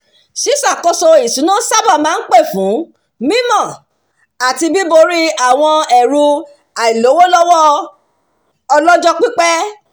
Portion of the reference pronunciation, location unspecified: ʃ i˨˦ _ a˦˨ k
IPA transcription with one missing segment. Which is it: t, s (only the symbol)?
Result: s